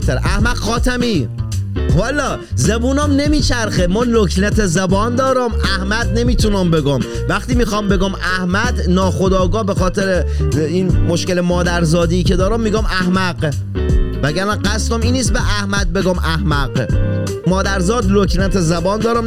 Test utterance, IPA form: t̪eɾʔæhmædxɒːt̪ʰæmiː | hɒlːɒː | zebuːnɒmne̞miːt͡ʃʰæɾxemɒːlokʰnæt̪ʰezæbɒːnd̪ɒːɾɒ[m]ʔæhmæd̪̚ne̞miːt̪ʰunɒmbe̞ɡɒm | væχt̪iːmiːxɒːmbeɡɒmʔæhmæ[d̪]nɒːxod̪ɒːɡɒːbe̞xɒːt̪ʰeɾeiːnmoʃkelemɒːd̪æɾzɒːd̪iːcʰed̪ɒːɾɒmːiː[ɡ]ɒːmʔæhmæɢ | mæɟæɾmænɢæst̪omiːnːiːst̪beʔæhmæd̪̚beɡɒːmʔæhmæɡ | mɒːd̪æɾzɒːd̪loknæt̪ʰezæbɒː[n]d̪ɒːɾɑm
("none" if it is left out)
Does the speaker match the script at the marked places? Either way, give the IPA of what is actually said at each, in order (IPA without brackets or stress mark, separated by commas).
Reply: m, d̪, ɡ, n